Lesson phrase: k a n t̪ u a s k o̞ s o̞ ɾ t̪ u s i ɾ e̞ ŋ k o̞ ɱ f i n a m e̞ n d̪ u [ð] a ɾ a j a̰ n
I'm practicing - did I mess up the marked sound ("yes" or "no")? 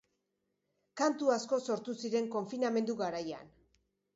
yes